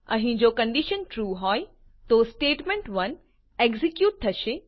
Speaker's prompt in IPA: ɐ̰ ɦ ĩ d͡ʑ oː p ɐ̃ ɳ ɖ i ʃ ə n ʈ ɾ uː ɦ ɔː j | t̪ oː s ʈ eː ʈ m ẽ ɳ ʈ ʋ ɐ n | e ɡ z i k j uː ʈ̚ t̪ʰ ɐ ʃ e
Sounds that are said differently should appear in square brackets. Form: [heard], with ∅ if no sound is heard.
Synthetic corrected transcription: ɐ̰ ɦ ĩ d͡ʑ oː [k] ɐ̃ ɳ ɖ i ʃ ə n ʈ ɾ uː ɦ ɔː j | t̪ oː s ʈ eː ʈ m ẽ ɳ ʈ ʋ ɐ n | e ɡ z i k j uː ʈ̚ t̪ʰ ɐ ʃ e